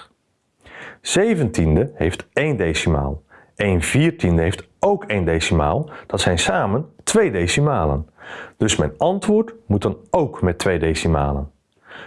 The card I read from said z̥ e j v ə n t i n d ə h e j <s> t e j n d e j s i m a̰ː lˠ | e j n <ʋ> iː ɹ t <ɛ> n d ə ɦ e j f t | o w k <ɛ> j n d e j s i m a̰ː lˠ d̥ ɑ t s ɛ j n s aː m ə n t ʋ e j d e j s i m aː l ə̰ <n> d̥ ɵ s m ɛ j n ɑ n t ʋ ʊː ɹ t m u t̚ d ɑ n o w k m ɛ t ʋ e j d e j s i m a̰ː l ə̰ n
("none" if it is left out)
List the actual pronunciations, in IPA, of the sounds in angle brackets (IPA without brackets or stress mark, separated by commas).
f, v, i, e, n